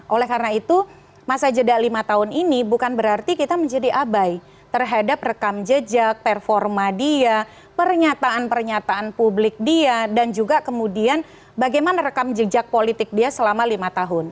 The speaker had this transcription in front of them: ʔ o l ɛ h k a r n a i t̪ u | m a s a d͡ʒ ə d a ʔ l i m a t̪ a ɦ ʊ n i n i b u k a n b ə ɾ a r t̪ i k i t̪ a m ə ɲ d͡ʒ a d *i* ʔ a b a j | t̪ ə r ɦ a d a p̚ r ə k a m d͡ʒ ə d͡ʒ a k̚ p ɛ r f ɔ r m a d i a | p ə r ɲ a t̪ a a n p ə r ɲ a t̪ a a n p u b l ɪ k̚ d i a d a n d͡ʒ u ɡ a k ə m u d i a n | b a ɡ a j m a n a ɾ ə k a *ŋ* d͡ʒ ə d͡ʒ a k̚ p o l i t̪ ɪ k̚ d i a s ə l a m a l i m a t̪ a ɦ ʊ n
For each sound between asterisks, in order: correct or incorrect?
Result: correct, incorrect

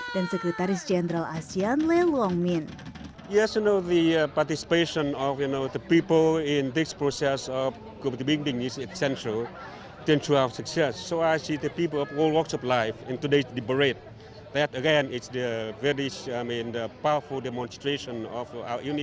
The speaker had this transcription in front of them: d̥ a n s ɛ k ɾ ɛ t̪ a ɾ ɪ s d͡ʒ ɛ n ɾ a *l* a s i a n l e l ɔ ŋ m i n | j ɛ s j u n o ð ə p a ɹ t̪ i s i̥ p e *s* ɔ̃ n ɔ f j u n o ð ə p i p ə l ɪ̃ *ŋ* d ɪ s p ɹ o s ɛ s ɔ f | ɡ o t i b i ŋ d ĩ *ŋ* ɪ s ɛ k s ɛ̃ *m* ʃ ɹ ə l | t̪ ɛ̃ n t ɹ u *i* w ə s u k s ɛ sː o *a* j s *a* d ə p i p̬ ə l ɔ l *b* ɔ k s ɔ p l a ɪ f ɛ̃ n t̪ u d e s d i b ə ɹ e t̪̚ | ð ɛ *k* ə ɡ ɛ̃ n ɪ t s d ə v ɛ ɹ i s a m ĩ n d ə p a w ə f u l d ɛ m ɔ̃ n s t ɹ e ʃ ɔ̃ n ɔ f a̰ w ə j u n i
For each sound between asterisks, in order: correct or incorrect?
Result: correct, incorrect, incorrect, correct, incorrect, incorrect, correct, incorrect, incorrect, incorrect

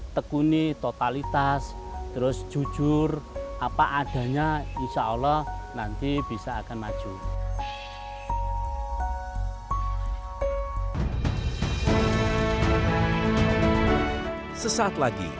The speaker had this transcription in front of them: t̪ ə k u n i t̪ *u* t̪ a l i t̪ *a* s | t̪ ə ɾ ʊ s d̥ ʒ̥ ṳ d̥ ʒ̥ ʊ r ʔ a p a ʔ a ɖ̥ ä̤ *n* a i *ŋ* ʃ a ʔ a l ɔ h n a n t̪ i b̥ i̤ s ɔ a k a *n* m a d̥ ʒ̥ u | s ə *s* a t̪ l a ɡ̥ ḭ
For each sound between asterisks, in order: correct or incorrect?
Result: incorrect, correct, incorrect, incorrect, correct, correct

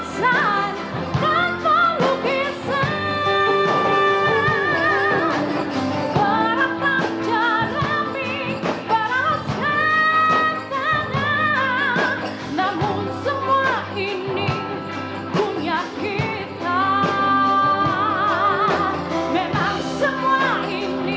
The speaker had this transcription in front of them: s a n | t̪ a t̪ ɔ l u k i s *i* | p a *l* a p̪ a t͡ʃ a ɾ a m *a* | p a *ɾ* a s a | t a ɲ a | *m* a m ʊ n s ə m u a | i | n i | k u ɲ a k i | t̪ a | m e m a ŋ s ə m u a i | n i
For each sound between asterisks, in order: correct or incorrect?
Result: incorrect, incorrect, incorrect, correct, incorrect

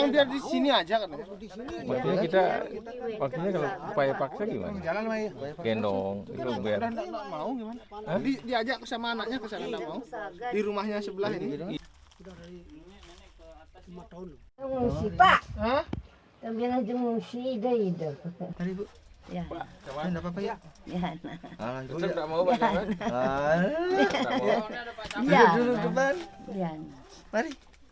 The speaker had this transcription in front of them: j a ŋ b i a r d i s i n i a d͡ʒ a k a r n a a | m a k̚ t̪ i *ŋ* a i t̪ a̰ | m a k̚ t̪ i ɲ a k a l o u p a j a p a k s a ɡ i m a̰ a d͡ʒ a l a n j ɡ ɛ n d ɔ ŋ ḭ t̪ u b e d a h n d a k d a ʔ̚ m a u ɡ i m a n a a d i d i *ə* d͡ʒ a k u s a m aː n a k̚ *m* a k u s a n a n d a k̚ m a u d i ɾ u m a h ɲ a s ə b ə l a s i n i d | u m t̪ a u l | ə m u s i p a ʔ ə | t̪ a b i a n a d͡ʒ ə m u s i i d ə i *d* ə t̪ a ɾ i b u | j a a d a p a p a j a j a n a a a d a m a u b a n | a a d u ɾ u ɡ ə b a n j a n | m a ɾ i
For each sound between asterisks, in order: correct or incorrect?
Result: incorrect, incorrect, incorrect, correct

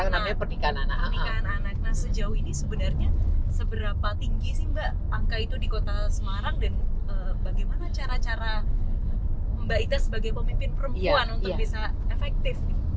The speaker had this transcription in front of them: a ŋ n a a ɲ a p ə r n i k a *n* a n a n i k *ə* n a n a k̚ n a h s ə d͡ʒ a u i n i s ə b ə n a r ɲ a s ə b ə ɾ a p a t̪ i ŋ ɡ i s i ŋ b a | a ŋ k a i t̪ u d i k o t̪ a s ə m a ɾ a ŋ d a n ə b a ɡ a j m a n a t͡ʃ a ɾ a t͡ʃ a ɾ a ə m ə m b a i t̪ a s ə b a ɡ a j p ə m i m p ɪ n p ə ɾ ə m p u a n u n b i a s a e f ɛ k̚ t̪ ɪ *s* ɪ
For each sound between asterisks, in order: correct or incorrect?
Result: correct, incorrect, incorrect

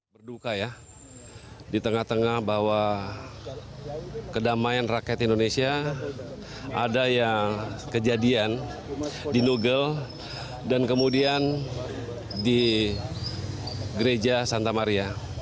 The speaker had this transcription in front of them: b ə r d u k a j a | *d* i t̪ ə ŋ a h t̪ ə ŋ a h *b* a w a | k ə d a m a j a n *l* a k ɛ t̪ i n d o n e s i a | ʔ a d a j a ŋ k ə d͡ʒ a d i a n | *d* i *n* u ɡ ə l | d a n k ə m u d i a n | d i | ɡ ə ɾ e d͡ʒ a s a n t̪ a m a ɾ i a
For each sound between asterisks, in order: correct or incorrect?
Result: correct, correct, incorrect, correct, correct

